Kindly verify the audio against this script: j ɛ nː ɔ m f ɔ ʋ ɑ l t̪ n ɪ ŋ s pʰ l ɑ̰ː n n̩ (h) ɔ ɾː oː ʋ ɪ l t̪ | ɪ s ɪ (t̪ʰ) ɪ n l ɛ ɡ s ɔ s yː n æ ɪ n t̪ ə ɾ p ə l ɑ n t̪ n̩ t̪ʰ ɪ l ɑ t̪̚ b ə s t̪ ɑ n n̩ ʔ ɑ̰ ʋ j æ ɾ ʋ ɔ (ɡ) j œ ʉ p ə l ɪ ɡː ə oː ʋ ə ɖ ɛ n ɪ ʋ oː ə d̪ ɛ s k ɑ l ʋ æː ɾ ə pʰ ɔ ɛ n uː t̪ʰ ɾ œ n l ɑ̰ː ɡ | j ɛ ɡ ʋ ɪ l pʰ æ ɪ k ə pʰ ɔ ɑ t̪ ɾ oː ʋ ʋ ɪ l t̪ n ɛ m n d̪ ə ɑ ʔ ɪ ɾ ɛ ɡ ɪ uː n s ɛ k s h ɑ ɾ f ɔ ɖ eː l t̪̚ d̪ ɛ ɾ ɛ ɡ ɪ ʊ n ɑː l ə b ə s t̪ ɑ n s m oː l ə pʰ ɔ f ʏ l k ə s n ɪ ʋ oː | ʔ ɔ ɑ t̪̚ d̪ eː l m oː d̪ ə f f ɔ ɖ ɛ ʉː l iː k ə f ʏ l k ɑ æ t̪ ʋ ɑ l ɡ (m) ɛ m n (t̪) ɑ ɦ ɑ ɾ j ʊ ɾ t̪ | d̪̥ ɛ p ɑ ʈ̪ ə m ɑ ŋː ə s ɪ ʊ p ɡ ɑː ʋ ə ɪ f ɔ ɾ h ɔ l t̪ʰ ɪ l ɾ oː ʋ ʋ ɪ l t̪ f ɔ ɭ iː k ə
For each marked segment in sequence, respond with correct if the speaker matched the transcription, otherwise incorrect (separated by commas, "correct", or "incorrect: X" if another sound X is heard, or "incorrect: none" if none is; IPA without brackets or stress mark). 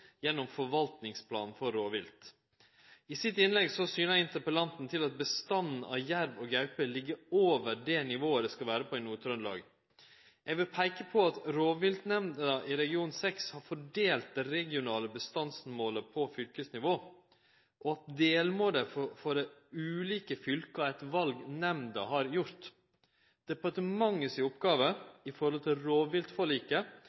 incorrect: f, incorrect: t̪, correct, incorrect: n, incorrect: d̪